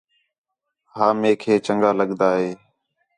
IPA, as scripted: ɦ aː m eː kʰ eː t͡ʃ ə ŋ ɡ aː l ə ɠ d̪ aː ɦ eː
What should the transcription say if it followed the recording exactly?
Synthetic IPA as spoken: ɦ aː m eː kʰ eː t͡ʃ ə ŋ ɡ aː l ə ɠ d̪ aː ɦ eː